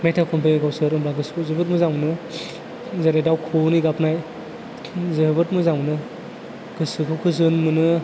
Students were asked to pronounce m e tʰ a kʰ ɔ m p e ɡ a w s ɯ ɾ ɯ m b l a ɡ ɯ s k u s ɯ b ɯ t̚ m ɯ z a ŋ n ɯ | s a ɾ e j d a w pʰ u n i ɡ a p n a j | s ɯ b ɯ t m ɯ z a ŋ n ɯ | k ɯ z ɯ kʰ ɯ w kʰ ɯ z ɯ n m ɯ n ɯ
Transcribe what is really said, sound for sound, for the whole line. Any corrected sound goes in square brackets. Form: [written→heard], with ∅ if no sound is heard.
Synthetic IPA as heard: m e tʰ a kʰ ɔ m p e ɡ a w s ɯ ɾ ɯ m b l a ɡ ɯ s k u [s→z] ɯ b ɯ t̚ m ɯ z a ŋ n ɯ | [s→z] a ɾ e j d a w [pʰ→kʰ] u n i ɡ a p n a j | [s→z] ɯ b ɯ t m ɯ z a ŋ n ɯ | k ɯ [z→s] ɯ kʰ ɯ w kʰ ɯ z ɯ n m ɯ n ɯ